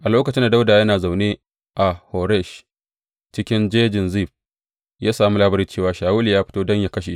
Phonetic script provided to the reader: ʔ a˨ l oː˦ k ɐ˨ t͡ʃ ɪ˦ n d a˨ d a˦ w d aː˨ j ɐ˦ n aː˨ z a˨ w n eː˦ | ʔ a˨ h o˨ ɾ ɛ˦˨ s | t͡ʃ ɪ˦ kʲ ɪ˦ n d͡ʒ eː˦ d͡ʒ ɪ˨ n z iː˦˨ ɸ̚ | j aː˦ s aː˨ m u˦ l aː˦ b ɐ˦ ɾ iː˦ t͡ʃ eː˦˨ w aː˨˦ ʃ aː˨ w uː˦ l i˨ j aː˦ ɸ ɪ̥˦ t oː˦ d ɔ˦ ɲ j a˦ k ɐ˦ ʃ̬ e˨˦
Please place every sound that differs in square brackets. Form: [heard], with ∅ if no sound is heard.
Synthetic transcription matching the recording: ʔ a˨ l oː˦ k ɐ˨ t͡ʃ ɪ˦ n d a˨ d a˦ w d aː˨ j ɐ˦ n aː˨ z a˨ w n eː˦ | ʔ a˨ h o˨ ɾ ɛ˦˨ [ʃ] | t͡ʃ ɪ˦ kʲ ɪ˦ n d͡ʒ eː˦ d͡ʒ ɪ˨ n z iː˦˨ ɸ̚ | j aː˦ s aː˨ m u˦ l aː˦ b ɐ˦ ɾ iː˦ t͡ʃ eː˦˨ w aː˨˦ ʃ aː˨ w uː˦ l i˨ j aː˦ ɸ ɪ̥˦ t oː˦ d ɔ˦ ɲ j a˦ k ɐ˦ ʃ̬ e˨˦